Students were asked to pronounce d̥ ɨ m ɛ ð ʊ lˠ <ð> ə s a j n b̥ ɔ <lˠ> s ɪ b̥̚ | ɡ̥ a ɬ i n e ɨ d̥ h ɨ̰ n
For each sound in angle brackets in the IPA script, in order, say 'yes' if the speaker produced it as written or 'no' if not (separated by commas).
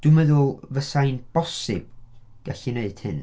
no, no